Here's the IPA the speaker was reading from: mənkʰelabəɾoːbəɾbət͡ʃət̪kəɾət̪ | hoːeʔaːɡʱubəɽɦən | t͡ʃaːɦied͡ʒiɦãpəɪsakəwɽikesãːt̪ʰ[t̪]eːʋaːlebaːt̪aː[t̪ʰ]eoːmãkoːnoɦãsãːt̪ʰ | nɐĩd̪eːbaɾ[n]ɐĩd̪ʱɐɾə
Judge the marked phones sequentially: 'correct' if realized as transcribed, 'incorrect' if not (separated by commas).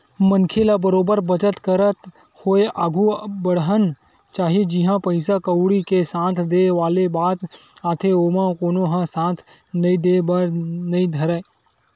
incorrect, correct, correct